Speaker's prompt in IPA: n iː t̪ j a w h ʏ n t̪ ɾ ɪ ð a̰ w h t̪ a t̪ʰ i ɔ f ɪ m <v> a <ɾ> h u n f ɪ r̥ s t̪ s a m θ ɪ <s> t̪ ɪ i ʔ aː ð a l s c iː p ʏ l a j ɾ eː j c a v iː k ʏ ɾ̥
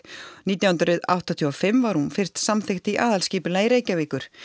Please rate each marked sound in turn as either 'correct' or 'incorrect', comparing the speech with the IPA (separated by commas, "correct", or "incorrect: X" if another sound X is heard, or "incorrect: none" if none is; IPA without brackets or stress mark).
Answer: correct, correct, incorrect: x